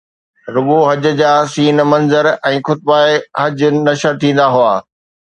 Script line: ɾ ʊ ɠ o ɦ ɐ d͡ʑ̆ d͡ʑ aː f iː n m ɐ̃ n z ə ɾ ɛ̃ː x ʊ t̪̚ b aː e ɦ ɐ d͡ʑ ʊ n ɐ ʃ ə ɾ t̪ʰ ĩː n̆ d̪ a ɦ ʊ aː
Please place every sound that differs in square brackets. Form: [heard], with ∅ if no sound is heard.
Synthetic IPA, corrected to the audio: ɾ ʊ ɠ o ɦ ɐ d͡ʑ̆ d͡ʑ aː [s] iː n m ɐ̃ n z ə ɾ ɛ̃ː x ʊ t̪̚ b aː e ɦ ɐ d͡ʑ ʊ n ɐ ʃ ə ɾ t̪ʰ ĩː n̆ d̪ a ɦ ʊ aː